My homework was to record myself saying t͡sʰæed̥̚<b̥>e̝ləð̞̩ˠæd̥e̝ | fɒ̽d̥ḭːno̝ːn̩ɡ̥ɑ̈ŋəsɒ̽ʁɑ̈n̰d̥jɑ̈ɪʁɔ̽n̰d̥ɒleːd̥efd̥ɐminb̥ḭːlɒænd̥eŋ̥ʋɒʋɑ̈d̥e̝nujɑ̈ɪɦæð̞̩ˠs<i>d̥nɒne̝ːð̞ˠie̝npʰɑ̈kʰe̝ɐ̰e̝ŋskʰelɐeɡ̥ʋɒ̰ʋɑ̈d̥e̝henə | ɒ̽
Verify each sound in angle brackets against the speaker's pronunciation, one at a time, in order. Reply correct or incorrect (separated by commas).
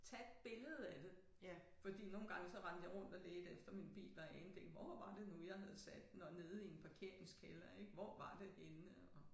correct, incorrect